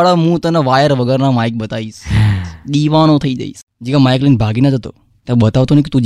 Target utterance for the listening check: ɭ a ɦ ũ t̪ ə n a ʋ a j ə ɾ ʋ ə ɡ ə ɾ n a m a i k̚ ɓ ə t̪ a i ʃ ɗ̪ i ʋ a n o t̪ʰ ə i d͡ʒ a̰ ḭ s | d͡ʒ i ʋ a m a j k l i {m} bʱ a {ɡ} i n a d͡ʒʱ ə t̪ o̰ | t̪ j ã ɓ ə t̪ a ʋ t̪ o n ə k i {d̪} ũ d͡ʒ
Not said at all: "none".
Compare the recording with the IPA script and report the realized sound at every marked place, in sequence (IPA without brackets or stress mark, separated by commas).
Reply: n, ɡ, t̪